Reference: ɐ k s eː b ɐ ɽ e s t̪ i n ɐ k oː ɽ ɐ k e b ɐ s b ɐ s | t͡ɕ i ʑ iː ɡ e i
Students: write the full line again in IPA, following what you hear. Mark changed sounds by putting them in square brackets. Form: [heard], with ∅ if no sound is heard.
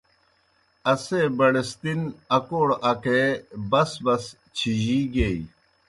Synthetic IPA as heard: ɐ [∅] s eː b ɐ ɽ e s t̪ i n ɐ k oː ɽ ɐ k e b ɐ s b ɐ s | [t͡ɕʰ] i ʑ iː ɡ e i